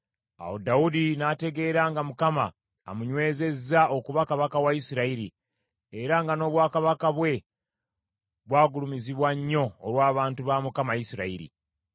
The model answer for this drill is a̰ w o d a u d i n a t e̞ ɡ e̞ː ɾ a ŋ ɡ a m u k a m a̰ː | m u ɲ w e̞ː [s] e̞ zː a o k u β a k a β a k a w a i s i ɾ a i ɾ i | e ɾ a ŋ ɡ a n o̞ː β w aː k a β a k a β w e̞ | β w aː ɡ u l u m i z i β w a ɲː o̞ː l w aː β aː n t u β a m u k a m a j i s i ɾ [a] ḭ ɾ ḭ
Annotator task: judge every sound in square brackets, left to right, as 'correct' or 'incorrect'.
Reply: incorrect: z, correct

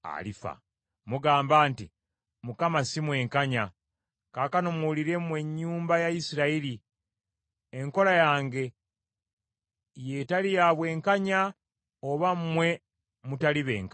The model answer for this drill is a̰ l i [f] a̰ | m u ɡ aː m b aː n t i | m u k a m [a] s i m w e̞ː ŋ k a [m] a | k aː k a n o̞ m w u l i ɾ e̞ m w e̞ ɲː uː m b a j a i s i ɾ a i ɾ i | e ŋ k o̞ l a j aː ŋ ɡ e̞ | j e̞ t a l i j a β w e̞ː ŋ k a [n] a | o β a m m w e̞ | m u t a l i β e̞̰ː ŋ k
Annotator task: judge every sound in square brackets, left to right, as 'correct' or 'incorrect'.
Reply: correct, correct, incorrect: ɲ, incorrect: ɲ

